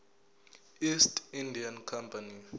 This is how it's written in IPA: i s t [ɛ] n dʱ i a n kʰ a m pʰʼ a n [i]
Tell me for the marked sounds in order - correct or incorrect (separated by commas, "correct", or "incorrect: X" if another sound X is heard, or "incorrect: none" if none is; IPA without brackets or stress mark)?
incorrect: i, correct